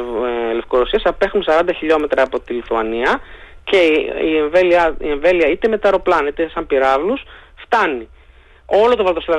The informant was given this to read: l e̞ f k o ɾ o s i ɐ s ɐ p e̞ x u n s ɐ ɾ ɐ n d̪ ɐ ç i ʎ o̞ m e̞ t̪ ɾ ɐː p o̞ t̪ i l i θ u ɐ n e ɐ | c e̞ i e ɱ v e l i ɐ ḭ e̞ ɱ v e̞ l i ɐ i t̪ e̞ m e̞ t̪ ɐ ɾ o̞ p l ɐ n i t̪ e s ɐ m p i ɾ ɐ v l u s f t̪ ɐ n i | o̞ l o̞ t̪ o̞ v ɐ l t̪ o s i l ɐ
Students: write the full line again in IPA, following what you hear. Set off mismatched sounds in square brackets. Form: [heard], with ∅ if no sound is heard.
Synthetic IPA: l e̞ f k o ɾ o s i ɐ s ɐ p e̞ x u n s ɐ ɾ ɐ n d̪ ɐ ç i ʎ o̞ m e̞ t̪ ɾ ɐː p o̞ t̪ i l i θ u ɐ n [i] ɐ | c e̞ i e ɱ v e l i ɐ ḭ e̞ ɱ v e̞ l i ɐ i t̪ e̞ m e̞ t̪ ɐ ɾ o̞ p l ɐ n i t̪ e s ɐ m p i ɾ ɐ v l u s f t̪ ɐ n i | o̞ l o̞ t̪ o̞ v ɐ l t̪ o s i l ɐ